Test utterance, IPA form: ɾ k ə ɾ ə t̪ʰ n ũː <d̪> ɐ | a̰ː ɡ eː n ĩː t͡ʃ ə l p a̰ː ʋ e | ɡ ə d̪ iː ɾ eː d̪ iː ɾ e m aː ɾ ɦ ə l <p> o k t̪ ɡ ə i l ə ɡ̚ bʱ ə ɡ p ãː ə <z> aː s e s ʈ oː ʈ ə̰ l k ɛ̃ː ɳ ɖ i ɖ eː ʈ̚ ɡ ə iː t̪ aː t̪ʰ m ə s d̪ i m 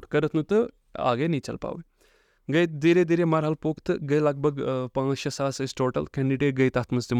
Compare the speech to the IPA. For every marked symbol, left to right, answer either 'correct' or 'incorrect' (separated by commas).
incorrect, correct, incorrect